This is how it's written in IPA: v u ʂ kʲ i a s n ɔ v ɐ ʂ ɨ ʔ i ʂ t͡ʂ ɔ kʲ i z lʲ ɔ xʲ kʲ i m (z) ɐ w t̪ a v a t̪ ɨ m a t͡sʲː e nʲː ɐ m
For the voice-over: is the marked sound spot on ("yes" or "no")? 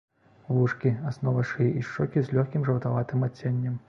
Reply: no